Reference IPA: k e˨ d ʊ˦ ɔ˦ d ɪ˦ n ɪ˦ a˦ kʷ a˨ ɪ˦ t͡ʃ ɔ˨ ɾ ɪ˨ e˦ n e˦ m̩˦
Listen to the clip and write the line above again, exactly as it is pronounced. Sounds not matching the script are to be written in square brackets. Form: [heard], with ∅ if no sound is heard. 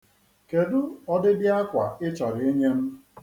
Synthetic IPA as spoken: k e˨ d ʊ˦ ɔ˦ d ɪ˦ [d] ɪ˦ a˦ kʷ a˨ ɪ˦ t͡ʃ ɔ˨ ɾ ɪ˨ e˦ [ɲ] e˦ m̩˦